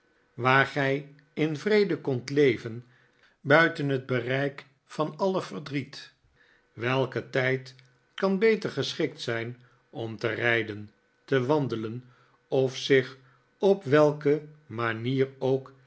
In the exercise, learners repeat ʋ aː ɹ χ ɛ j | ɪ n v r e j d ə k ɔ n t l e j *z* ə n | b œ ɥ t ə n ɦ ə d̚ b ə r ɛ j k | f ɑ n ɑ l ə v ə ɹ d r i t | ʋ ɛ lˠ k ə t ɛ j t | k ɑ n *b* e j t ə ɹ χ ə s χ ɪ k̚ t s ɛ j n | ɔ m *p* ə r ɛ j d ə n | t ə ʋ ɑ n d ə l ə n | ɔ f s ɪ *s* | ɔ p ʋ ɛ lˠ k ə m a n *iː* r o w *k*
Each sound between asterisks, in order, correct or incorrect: incorrect, correct, incorrect, incorrect, correct, correct

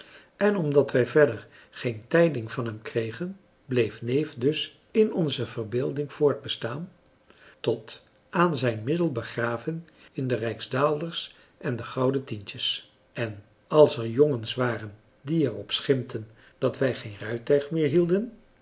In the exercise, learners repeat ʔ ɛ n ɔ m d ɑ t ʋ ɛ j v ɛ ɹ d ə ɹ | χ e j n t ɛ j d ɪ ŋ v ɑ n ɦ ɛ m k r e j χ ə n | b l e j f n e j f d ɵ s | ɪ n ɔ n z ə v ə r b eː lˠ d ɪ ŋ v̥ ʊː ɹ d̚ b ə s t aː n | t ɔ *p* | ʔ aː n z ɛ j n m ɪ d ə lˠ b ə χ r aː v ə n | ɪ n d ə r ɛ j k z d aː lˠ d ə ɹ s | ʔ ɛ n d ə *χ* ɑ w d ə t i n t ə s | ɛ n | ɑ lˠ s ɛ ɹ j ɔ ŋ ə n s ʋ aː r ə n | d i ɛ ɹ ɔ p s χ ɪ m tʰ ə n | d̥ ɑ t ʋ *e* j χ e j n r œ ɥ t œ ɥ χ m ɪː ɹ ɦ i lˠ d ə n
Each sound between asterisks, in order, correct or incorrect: incorrect, correct, incorrect

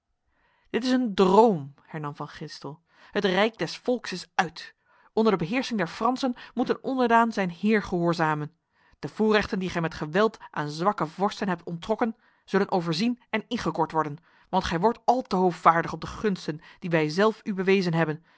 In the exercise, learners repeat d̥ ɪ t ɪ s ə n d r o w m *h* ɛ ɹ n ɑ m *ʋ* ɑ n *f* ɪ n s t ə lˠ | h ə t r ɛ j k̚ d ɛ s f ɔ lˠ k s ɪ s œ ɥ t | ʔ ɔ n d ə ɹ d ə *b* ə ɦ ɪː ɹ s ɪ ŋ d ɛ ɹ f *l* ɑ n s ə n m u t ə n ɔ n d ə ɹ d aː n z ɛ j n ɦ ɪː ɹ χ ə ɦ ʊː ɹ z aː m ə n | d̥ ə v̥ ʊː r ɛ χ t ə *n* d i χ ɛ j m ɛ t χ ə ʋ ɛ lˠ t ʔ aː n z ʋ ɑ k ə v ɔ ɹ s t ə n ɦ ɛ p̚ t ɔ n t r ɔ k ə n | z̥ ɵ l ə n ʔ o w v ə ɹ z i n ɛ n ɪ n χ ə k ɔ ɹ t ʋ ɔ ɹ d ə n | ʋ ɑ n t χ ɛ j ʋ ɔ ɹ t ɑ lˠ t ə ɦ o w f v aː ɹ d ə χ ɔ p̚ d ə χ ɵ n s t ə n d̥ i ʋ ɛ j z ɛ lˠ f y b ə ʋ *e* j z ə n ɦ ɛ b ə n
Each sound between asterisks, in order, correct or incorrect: correct, incorrect, incorrect, correct, incorrect, correct, correct

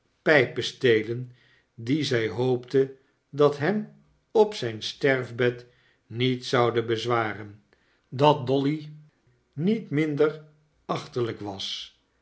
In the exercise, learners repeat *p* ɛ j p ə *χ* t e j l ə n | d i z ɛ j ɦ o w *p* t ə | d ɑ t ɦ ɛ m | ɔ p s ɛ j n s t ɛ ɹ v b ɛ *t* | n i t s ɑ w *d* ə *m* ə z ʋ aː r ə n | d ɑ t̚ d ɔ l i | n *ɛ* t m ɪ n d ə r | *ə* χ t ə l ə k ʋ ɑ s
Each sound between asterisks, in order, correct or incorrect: correct, incorrect, correct, correct, correct, incorrect, incorrect, incorrect

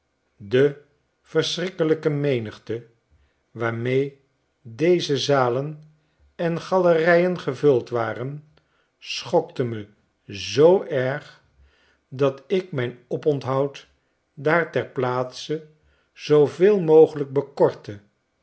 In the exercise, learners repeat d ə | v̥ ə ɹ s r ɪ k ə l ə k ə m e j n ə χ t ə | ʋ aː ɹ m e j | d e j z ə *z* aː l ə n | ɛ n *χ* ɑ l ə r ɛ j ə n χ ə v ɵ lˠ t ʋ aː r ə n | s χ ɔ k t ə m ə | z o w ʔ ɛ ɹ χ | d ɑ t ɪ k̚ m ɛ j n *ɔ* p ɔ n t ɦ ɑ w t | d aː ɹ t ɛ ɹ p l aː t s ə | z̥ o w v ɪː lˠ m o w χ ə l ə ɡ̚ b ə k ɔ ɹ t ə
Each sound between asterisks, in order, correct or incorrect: correct, correct, correct

